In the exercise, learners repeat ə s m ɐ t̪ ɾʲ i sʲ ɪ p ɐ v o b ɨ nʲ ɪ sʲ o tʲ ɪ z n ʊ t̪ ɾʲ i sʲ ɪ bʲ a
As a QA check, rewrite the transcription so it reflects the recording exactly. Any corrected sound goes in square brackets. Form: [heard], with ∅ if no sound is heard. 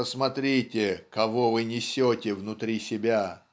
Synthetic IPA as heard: ə s m ɐ t̪ ɾʲ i [tʲ] ɪ [k] ɐ v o [v] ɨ nʲ ɪ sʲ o tʲ ɪ [v] n ʊ t̪ ɾʲ i sʲ ɪ bʲ a